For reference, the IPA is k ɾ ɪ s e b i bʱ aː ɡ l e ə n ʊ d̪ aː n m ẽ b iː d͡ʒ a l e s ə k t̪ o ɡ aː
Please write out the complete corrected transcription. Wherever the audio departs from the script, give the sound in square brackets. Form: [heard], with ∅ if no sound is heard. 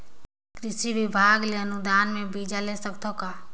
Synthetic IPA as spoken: k ɾ ɪ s [i] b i bʱ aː ɡ l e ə n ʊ d̪ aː n m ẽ b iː d͡ʒ a l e s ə k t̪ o [k] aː